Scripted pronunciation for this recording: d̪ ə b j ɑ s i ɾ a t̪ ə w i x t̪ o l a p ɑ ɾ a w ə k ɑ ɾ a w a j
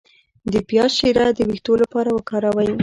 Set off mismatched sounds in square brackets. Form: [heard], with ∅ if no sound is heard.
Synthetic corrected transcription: d̪ ə [p] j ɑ [ʃ] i ɾ a [d̪] ə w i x t̪ o l a p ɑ ɾ a w ə k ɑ ɾ a w a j